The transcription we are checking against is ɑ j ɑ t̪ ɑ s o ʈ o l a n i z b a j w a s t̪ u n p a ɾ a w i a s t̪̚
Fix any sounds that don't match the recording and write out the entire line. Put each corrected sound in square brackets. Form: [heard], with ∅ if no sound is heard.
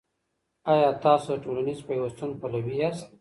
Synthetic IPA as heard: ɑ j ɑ t̪ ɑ s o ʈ o l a n i z [p] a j w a s t̪ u n p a [l] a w i a s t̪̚